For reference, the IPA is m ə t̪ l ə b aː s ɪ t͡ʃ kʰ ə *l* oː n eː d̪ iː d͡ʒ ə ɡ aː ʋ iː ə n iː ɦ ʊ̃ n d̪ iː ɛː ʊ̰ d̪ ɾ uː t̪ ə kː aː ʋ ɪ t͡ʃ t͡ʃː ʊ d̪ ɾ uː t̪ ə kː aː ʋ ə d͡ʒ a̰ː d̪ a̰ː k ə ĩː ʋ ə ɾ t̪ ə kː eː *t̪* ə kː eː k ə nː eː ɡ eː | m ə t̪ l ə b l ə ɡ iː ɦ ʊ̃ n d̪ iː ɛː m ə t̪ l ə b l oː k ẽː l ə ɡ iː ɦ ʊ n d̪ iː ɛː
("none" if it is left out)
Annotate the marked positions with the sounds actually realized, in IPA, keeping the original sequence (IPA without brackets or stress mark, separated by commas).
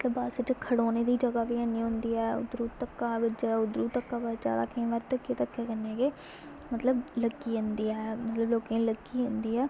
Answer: ɽ, t̪